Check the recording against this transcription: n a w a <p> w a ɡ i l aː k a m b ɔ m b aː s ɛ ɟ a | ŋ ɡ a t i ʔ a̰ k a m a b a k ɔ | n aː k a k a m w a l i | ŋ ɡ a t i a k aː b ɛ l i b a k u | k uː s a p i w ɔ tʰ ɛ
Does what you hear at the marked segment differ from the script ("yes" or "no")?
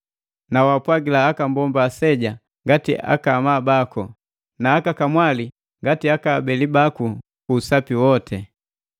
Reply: no